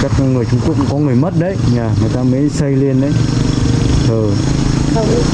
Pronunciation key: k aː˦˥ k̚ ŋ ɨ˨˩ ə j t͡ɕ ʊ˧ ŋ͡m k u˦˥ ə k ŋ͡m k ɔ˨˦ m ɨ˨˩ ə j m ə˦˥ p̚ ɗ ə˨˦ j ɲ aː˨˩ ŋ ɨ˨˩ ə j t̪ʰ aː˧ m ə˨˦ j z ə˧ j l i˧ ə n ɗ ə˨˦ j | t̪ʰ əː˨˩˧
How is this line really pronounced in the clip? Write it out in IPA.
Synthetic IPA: k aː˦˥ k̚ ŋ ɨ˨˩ ə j t͡ɕ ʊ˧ ŋ͡m k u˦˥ ə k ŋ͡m k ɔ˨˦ ŋ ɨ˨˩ ə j m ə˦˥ t̚ ɗ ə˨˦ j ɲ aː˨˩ ŋ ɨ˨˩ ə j t̪ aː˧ m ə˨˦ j s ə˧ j l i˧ ə n ɗ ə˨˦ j | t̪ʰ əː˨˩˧